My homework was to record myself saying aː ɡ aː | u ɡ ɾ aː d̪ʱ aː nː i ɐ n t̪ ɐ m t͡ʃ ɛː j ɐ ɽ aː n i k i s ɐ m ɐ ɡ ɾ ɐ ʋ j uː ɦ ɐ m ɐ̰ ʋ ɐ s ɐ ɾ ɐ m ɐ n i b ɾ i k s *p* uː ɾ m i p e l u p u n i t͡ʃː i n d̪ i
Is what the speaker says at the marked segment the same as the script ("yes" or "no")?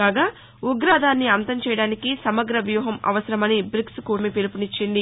no